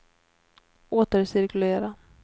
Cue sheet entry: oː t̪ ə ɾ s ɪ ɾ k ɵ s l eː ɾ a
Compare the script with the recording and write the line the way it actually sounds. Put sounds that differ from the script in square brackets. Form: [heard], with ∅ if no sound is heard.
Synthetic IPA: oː t̪ ə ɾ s ɪ ɾ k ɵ [∅] l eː ɾ a